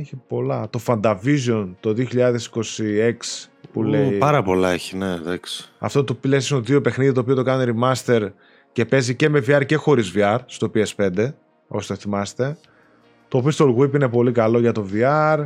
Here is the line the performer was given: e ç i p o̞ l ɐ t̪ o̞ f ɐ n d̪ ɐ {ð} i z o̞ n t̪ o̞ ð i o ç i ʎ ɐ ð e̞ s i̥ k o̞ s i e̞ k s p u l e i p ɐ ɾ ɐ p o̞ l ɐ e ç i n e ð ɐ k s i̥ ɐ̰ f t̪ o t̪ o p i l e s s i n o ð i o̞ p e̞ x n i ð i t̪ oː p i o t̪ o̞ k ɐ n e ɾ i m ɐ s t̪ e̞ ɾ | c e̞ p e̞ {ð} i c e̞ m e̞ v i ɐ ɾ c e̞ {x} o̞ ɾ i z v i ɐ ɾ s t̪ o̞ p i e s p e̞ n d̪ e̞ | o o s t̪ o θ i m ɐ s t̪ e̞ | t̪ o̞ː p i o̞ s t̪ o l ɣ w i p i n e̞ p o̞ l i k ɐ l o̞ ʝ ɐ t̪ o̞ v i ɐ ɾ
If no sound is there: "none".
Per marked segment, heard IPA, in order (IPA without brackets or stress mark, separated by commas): v, z, x